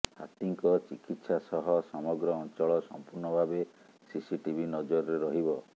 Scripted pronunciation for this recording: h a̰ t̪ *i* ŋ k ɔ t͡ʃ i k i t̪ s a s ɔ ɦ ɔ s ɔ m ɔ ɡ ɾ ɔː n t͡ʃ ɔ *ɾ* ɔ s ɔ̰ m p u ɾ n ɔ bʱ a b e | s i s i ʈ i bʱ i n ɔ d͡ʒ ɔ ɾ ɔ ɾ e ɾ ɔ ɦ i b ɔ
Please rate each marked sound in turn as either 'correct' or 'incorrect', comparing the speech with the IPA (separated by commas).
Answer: correct, incorrect